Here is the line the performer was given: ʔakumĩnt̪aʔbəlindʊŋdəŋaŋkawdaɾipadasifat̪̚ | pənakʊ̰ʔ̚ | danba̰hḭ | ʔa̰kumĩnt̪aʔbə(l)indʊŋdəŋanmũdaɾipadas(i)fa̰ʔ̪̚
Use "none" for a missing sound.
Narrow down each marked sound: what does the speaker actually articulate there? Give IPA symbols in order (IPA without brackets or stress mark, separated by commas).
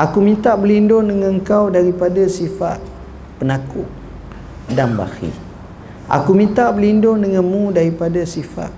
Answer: l, i